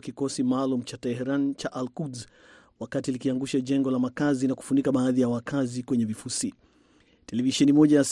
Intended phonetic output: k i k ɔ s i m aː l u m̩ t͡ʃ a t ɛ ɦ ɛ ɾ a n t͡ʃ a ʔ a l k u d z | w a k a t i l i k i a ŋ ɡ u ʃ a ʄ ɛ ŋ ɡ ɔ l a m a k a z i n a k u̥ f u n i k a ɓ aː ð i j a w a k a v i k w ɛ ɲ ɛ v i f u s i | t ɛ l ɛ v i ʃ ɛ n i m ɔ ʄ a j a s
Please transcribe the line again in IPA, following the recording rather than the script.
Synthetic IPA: k i k ɔ s i m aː l u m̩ t͡ʃ a t ɛ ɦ ɛ ɾ a n t͡ʃ a ʔ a l k u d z | w a k a t i l i k i a ŋ ɡ u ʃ a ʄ ɛ ŋ ɡ ɔ l a m a k a z i n a k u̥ f u n i k a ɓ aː ð i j a w a k a z i k w ɛ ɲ ɛ v i f u s i | t ɛ l ɛ v i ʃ ɛ n i m ɔ ʄ a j a s